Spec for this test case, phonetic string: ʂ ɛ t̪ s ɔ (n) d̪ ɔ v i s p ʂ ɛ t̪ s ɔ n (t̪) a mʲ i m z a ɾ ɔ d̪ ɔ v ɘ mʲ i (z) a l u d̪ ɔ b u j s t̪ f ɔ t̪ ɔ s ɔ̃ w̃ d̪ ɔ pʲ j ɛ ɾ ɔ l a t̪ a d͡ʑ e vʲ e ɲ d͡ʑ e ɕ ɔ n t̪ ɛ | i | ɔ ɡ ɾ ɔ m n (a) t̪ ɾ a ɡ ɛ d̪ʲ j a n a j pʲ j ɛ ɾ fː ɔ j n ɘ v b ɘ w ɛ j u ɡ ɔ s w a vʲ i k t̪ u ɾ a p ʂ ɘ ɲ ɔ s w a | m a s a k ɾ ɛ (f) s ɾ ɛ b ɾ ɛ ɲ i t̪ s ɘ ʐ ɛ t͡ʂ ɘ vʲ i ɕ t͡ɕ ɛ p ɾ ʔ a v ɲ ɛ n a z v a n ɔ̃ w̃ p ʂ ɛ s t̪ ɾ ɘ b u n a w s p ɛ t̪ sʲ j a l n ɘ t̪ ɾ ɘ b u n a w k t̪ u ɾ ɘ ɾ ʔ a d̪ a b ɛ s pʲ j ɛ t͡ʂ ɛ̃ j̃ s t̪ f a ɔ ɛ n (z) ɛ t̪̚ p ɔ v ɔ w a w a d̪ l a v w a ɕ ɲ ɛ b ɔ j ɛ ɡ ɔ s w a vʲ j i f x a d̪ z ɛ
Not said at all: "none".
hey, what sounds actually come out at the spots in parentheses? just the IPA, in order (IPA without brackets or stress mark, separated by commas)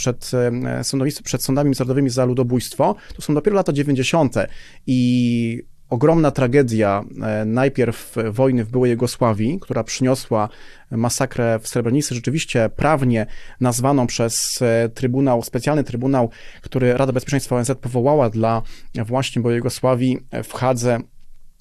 n, d̪, z, a, f, z